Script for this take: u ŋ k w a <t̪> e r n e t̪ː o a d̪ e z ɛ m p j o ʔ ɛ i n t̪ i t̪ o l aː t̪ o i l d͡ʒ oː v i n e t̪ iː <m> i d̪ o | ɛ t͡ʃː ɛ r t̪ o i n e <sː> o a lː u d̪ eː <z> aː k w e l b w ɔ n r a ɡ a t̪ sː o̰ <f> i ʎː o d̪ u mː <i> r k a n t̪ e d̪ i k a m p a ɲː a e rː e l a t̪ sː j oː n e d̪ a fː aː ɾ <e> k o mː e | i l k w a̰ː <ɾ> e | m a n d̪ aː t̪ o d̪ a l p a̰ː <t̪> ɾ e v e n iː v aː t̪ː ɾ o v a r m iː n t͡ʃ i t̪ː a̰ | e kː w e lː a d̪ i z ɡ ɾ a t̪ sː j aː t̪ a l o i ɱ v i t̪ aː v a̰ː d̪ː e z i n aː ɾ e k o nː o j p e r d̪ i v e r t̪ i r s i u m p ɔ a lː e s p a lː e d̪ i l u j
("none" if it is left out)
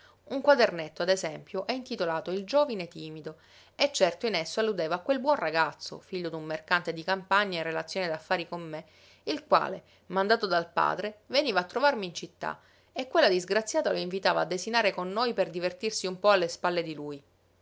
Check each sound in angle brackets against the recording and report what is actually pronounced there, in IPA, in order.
d̪, m, sː, v, f, e, i, l, d̪

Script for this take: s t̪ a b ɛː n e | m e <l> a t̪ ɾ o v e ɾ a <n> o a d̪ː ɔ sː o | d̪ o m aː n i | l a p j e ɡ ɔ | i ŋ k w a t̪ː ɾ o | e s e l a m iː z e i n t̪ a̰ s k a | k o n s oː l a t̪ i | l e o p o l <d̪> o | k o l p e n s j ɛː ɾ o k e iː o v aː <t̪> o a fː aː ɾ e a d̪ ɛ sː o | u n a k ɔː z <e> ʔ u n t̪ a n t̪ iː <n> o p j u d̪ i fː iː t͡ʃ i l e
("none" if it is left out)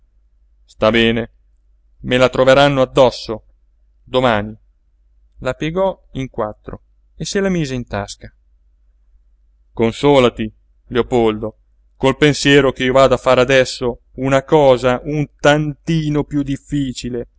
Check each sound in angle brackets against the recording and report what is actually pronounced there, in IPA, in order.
l, nː, d̪, d̪, a, n

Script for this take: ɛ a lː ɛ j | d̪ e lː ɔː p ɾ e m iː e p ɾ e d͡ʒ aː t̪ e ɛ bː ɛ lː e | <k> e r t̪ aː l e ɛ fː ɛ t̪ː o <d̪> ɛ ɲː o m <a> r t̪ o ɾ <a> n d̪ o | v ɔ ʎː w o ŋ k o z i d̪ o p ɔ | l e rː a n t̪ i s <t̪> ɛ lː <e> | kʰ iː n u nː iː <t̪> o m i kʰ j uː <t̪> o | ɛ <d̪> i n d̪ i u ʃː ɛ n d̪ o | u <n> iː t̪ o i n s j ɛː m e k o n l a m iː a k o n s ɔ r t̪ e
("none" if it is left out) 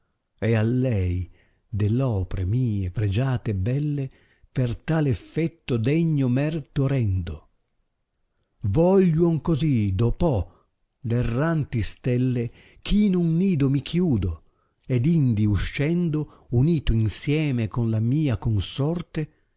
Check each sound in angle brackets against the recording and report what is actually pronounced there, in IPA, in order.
p, d̪, ɛ, ɛ, t̪, e, d̪, d̪, d̪, n

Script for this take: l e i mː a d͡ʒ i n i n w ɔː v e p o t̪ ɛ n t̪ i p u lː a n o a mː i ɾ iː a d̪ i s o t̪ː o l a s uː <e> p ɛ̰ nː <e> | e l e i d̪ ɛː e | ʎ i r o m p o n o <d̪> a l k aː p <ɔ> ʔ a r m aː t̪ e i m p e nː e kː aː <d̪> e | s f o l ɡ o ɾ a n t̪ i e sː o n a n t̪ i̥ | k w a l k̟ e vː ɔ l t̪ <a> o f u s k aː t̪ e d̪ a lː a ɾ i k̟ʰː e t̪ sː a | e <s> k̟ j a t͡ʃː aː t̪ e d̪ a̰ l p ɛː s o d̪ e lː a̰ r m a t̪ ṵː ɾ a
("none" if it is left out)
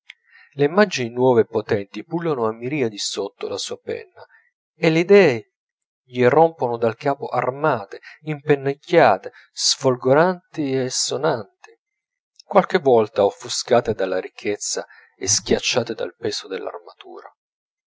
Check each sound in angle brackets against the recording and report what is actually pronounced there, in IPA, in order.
a, a, d̪, o, t̪, a, s

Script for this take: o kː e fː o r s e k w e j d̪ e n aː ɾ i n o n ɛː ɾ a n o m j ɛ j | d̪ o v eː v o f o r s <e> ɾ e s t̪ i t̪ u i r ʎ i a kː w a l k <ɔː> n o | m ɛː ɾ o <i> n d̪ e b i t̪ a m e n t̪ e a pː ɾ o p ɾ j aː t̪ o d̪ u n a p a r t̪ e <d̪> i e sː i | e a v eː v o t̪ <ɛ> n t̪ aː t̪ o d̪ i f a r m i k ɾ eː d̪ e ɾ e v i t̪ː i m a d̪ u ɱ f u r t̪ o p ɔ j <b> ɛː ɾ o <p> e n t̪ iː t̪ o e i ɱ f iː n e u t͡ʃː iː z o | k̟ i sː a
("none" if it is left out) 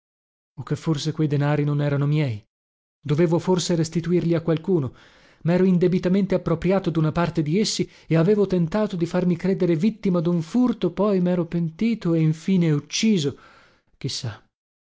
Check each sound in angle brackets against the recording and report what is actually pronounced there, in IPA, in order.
e, uː, i, d̪, e, m, p

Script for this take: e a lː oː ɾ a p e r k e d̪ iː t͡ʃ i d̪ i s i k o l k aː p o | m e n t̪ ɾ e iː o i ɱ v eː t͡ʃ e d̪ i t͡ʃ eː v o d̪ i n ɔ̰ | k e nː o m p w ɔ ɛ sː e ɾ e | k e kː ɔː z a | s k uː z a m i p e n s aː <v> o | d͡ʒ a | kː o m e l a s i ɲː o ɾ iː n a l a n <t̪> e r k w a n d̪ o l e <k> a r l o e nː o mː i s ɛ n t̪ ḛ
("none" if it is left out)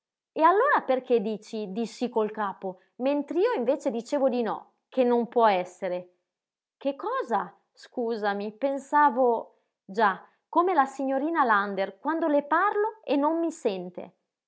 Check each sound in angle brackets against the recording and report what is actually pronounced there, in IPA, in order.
v, d̪, p

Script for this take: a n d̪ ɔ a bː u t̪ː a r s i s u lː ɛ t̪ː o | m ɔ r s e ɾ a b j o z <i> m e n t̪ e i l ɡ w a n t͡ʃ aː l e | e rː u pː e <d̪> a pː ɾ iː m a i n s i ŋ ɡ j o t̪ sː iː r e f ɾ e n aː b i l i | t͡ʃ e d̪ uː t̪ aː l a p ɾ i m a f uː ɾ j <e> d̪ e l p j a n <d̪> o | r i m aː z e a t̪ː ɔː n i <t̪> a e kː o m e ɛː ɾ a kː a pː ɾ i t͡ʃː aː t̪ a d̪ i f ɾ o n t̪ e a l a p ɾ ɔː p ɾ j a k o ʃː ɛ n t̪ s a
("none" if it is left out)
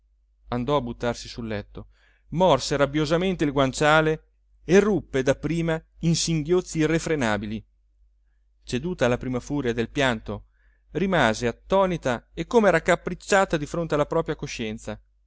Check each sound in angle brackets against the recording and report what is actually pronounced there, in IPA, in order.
a, d̪, a, t̪, t̪

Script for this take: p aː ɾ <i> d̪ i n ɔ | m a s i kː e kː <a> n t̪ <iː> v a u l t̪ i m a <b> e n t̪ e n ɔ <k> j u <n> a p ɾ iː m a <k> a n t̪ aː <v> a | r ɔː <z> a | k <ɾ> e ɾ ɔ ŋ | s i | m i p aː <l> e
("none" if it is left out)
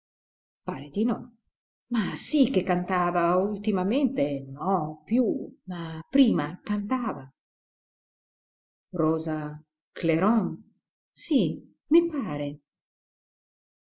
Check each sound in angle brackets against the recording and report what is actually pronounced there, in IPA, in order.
e, a, aː, m, p, m, k, v, z, l, ɾ

